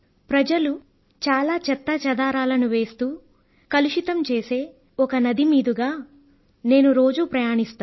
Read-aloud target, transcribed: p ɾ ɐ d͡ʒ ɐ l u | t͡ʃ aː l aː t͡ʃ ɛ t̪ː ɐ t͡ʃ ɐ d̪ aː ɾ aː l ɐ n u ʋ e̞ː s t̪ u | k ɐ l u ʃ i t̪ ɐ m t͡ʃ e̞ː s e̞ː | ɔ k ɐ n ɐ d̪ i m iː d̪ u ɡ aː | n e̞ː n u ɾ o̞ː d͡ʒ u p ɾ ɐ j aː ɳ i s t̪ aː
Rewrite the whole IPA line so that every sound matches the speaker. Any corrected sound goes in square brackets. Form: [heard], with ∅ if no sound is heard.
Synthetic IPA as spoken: p ɾ ɐ d͡ʒ ɐ l u | t͡ʃ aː l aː t͡ʃ ɛ t̪ː ɐ t͡ʃ ɐ d̪ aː ɾ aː l ɐ n u ʋ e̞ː s t̪ [uː] | k ɐ l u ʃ i t̪ ɐ m t͡ʃ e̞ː s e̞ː | ɔ k ɐ n ɐ d̪ i m iː d̪ u ɡ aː | n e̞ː n u ɾ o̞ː d͡ʒ u p ɾ ɐ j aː ɳ i s t̪ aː

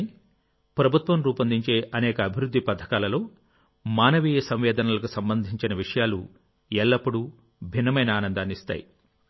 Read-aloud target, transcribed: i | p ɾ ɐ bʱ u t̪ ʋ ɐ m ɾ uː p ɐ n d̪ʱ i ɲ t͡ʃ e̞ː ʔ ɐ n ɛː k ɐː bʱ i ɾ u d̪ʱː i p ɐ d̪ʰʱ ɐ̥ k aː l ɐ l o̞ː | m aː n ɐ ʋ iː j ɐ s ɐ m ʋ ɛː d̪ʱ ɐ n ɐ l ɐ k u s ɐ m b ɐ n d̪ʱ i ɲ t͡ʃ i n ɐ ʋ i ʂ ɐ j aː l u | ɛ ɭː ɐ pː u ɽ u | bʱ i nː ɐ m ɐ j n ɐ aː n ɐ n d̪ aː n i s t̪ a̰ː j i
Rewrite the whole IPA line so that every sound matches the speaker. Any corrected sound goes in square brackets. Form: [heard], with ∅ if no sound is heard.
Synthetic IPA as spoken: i | p ɾ ɐ bʱ u t̪ ʋ ɐ m ɾ uː p ɐ n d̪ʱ i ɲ t͡ʃ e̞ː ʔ ɐ n ɛː k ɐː bʱ i ɾ u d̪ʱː i p ɐ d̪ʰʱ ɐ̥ k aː l ɐ l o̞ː | m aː n ɐ ʋ iː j ɐ s ɐ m ʋ ɛː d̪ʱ ɐ n ɐ l ɐ k u s ɐ m b ɐ n d̪ʱ i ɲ t͡ʃ i n ɐ ʋ i ʂ ɐ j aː l u | ɛ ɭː ɐ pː u ɽ u | bʱ i nː ɐ m ɐ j n ɐ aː n ɐ n d̪ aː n i s t̪ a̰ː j i

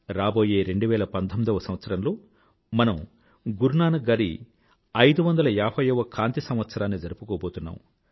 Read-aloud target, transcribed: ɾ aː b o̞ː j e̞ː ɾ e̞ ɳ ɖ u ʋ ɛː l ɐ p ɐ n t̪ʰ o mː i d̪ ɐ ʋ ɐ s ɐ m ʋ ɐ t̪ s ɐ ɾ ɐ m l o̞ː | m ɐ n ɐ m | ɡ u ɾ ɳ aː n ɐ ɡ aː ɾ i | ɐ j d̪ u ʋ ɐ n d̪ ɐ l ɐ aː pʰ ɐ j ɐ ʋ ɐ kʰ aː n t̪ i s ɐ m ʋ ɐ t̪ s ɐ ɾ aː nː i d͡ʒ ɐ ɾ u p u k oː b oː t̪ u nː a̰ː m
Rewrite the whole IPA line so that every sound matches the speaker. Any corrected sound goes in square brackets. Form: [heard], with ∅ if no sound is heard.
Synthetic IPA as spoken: ɾ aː b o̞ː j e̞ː ɾ e̞ ɳ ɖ u ʋ ɛː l ɐ p ɐ n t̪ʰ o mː i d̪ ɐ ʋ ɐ s ɐ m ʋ ɐ t̪ s ɐ ɾ ɐ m l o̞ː | m ɐ n ɐ m | ɡ u ɾ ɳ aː n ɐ ɡ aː ɾ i | ɐ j d̪ u ʋ ɐ n d̪ ɐ l ɐ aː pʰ ɐ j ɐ ʋ ɐ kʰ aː n t̪ i s ɐ m ʋ ɐ t̪ s ɐ ɾ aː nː i d͡ʒ ɐ ɾ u p u k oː b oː t̪ u nː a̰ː m

